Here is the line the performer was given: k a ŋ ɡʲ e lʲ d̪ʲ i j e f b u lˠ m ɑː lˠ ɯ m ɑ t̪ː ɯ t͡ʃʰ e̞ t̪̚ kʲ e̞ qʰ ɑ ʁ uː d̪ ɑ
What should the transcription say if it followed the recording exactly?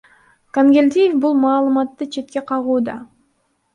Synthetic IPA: k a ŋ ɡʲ e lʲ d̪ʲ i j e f b u lˠ m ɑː lˠ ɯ m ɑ t̪ː ɯ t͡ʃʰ e̞ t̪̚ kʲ e̞ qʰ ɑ ʁ uː d̪ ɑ